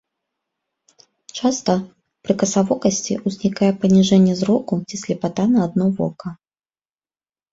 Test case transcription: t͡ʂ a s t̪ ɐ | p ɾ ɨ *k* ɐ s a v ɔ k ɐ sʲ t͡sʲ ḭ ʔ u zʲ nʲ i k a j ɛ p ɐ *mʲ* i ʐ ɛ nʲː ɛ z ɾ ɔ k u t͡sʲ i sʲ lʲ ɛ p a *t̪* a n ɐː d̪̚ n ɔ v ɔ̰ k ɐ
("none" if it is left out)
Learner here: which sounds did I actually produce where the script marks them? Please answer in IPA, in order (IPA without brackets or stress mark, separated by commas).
k, nʲ, t̪